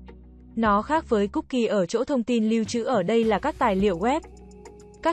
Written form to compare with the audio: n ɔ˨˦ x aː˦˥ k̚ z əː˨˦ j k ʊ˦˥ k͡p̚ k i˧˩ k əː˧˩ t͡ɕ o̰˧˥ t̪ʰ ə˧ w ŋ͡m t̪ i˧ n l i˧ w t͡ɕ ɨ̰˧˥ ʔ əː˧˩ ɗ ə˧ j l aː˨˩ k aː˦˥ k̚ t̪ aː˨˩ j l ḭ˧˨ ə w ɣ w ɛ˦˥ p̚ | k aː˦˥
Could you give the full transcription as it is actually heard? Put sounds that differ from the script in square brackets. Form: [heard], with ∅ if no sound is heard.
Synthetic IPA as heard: n ɔ˨˦ x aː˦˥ k̚ [v] əː˨˦ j k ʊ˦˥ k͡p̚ k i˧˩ [ʔ] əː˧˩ t͡ɕ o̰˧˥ t̪ʰ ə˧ w ŋ͡m t̪ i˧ n l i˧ w t͡ɕ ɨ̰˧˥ ʔ əː˧˩ ɗ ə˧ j l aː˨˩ k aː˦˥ k̚ t̪ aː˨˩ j l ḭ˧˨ ə w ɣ w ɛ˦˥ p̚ | k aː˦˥